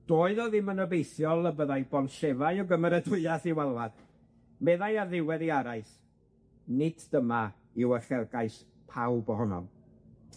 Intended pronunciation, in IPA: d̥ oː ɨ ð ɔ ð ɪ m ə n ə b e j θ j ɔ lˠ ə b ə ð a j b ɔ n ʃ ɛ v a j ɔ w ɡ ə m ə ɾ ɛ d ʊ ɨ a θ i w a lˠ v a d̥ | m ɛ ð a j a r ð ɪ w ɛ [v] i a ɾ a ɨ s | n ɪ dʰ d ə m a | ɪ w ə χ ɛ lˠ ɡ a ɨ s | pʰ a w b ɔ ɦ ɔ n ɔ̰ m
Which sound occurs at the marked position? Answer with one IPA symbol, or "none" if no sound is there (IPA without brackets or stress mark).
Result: ð